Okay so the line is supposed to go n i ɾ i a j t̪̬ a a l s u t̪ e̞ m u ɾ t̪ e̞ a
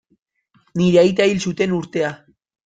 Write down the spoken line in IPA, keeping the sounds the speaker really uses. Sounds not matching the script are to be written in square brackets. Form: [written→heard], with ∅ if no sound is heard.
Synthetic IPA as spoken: n i ɾ [i→e] a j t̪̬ a [a→i] l s u t̪ e̞ [m→n] u ɾ t̪ e̞ a